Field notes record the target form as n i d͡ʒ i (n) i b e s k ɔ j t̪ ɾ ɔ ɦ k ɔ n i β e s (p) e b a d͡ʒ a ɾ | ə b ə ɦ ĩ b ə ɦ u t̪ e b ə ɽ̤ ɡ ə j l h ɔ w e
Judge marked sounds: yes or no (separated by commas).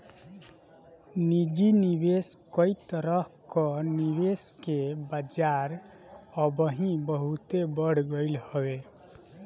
yes, no